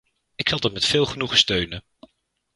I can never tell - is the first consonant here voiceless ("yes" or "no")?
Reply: yes